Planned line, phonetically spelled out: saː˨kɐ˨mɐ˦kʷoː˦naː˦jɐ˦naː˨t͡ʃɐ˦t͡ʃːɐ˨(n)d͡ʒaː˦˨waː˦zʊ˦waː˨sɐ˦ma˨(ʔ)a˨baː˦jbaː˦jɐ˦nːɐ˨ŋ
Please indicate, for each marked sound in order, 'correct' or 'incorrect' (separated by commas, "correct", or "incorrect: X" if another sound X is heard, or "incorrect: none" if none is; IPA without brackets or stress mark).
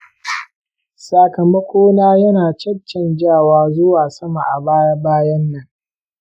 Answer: correct, correct